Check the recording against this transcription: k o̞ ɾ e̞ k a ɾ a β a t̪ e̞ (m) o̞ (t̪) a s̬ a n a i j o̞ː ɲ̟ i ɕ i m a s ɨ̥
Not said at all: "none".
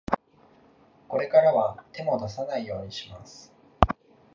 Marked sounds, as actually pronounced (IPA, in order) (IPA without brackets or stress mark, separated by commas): m, d̪